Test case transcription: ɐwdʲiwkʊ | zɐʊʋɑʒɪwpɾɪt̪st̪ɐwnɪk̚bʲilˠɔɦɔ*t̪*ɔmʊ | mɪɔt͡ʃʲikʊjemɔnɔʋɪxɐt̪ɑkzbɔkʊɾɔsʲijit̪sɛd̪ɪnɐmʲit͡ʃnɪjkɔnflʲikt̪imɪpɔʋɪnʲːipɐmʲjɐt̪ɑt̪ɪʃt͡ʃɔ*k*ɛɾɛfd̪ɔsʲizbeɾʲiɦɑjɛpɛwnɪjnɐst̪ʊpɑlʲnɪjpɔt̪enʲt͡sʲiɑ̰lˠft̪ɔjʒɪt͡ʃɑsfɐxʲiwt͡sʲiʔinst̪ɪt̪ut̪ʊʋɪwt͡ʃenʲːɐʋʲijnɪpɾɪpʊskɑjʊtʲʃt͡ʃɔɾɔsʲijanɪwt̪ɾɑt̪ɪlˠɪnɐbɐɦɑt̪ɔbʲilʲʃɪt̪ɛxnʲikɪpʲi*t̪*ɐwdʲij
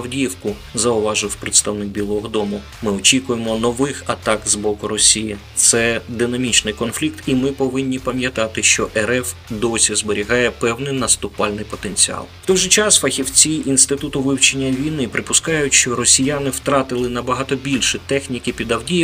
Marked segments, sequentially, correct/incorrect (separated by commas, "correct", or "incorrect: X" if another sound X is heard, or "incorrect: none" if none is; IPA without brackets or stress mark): incorrect: d̪, incorrect: ʔ, incorrect: d̪